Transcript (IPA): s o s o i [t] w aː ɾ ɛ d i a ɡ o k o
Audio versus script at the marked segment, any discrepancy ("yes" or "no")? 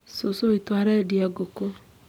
no